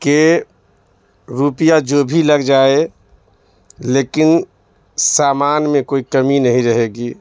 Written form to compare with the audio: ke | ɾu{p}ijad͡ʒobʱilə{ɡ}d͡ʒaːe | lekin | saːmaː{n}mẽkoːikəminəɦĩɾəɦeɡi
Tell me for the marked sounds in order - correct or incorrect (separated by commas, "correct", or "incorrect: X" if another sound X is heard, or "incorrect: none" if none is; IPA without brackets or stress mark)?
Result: correct, correct, correct